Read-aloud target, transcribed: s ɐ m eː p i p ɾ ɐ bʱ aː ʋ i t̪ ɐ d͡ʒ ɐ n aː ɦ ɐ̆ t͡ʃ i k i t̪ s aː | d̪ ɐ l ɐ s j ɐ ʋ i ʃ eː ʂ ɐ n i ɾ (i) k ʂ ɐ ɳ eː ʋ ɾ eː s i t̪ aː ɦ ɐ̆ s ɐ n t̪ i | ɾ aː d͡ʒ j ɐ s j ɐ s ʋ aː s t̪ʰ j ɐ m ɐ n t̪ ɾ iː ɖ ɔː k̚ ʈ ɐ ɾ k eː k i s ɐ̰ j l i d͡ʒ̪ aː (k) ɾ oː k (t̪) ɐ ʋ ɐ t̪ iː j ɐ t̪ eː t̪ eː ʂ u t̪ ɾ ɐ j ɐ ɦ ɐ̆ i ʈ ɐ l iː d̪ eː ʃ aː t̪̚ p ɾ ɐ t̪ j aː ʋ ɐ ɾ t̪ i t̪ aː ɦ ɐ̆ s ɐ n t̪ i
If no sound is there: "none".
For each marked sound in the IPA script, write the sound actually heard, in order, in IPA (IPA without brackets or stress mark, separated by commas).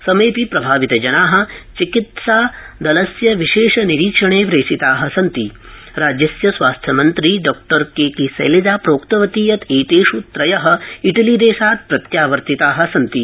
iː, p, t̪